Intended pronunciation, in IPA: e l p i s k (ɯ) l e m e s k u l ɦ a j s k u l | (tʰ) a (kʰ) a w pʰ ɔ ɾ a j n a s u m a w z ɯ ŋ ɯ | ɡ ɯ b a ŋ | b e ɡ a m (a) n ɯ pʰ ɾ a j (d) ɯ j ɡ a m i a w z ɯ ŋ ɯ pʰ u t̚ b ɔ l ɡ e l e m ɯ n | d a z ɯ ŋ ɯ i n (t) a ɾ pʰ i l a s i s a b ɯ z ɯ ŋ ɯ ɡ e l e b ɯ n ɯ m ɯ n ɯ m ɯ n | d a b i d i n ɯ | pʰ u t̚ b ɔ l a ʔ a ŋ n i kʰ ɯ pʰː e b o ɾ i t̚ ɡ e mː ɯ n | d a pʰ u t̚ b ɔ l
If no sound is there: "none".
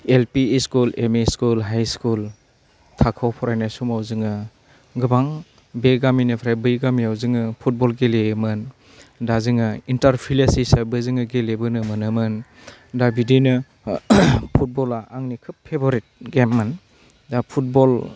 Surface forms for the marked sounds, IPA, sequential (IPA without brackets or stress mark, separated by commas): u, tʰ, kʰ, i, b, t